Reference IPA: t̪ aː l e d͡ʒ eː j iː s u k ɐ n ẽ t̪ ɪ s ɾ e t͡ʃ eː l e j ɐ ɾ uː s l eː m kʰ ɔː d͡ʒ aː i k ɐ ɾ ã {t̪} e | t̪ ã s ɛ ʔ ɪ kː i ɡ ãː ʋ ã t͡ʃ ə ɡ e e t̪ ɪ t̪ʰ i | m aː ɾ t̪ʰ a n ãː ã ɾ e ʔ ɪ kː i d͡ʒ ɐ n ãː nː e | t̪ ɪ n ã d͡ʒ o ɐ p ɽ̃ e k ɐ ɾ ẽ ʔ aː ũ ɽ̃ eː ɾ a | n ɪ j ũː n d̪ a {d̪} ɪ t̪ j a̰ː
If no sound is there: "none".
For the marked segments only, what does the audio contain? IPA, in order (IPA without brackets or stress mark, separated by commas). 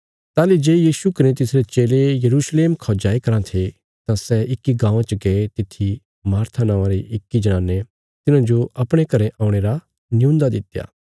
t̪ʰ, d̪